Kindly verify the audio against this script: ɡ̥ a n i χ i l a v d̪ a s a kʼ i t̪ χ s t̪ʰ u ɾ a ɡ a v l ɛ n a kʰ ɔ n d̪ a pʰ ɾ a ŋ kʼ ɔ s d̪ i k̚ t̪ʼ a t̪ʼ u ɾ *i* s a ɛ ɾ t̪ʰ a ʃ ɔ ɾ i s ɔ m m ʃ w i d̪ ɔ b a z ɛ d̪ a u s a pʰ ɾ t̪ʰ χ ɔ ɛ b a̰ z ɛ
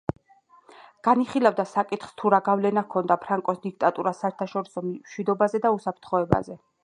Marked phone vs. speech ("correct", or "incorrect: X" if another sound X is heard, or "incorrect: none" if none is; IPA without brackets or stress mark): incorrect: a